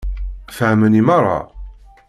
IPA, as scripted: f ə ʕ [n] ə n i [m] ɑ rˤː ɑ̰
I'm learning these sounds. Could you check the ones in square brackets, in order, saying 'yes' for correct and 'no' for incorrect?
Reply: no, yes

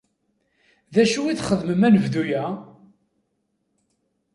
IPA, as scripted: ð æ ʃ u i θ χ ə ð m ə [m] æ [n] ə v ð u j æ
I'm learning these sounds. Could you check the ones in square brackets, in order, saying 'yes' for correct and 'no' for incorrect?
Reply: yes, yes

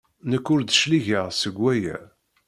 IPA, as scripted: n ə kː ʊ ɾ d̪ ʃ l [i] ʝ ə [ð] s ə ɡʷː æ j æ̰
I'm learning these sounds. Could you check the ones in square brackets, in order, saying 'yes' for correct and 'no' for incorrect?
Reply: yes, no

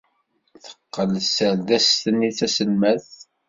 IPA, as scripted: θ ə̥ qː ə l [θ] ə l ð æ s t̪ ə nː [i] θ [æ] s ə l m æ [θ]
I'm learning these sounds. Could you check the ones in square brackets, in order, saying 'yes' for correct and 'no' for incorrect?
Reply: no, yes, yes, yes

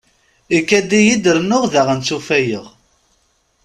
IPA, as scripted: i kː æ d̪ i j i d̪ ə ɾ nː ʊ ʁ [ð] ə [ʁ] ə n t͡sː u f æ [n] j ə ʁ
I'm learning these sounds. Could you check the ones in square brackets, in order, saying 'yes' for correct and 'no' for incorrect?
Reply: yes, yes, no

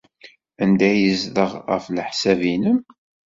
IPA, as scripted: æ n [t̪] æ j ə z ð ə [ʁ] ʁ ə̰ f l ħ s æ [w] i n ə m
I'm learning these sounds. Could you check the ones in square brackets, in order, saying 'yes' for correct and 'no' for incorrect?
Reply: no, yes, no

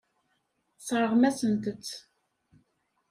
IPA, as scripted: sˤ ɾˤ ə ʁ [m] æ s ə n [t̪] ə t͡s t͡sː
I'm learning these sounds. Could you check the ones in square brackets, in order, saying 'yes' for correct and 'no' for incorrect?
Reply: yes, yes

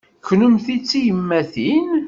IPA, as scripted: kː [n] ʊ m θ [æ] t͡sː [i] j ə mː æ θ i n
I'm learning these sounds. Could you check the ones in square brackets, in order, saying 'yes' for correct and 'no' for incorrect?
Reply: yes, no, yes

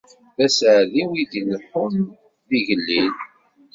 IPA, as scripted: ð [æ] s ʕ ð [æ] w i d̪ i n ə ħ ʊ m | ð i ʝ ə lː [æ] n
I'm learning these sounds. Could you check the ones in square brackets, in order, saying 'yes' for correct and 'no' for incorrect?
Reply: yes, no, no

